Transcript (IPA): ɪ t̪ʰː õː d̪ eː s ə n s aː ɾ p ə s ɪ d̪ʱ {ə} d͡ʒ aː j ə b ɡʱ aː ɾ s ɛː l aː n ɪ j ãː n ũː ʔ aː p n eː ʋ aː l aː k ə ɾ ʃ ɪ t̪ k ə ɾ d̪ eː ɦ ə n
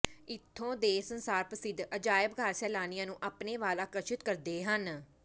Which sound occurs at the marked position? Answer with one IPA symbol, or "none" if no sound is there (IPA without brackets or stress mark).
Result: ə